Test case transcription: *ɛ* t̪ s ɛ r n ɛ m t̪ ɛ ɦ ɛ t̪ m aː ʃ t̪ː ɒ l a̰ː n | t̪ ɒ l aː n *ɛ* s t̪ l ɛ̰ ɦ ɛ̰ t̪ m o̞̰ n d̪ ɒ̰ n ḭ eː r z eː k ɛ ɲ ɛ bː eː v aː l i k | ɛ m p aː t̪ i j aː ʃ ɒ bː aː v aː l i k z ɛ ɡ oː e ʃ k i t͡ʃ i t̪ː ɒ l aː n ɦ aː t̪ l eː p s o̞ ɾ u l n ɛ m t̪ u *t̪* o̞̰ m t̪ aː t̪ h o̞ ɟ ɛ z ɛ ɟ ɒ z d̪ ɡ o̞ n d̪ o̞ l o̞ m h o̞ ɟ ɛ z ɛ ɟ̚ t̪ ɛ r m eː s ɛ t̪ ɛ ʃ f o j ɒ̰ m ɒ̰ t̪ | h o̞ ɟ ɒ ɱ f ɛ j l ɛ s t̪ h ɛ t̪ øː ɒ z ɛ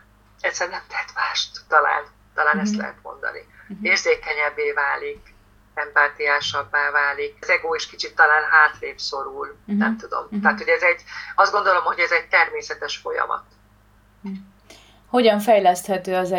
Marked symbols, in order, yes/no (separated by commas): yes, yes, no